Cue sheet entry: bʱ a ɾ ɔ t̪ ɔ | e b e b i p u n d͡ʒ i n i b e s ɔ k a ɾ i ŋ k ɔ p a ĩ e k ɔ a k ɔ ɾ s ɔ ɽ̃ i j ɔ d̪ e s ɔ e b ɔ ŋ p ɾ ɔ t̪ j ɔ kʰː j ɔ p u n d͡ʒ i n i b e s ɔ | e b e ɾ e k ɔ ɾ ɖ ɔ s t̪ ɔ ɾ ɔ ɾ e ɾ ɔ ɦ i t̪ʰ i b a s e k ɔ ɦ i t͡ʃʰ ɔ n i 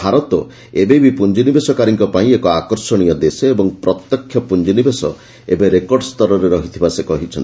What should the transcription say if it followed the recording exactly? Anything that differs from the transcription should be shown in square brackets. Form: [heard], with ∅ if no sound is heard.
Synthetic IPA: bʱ a ɾ ɔ t̪ ɔ | e b e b i p u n d͡ʒ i n i b e s ɔ k a ɾ i ŋ k ɔ p a ĩ e k ɔ a k ɔ ɾ s ɔ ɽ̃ i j ɔ d̪ e s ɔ e b ɔ ŋ p ɾ ɔ t̪ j ɔ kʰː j ɔ p u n d͡ʒ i n i b e s ɔ | e b e ɾ e k ɔ ɾ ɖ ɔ s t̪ ɔ ɾ ɔ ɾ e ɾ ɔ ɦ i t̪ʰ i b a s e k ɔ ɦ i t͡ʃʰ ɔ n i

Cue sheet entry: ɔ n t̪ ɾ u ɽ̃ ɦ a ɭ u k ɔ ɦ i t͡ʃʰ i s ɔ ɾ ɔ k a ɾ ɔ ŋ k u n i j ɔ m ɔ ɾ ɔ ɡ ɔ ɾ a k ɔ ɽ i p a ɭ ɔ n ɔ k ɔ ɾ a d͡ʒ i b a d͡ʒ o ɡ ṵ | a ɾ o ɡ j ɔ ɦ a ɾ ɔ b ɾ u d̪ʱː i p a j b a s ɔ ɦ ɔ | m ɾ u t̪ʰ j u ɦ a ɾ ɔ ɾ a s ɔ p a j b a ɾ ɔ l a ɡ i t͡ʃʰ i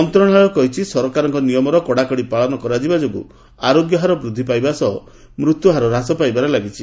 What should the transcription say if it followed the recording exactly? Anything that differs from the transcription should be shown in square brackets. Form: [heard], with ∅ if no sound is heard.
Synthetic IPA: ɔ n t̪ ɾ [ɔ] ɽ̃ ɦ a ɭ [ɔ] k ɔ ɦ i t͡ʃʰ i s ɔ ɾ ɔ k a ɾ ɔ ŋ k [ɔ] n i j ɔ m ɔ ɾ ɔ [k] ɔ [ɽ] a k ɔ ɽ i p a ɭ ɔ n ɔ k ɔ ɾ a d͡ʒ i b a d͡ʒ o ɡ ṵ | a ɾ o ɡ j ɔ ɦ a ɾ ɔ b ɾ u d̪ʱː i p a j b a s ɔ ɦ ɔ | m ɾ u [t̪] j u ɦ a ɾ ɔ ɾ a s ɔ p a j b a ɾ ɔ l a ɡ i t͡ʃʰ i

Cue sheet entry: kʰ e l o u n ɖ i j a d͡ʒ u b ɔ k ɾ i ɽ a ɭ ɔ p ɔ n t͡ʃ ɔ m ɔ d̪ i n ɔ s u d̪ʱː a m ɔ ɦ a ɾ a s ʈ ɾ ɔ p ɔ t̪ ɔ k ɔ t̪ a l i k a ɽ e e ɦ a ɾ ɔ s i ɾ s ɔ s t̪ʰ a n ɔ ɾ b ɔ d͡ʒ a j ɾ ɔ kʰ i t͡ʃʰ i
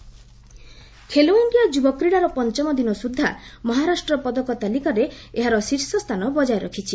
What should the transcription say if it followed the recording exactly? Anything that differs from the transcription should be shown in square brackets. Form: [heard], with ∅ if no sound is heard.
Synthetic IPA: kʰ e l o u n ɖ i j a d͡ʒ u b ɔ k ɾ i ɽ a [ɾ] ɔ p ɔ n t͡ʃ ɔ m ɔ d̪ i n ɔ s u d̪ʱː a m ɔ ɦ a ɾ a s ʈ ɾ ɔ p ɔ [d̪] ɔ k ɔ t̪ a l i k a [ɾ] e e ɦ a ɾ ɔ s i ɾ s ɔ s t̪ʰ a n ɔ [∅] b ɔ d͡ʒ a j ɾ ɔ kʰ i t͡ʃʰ i

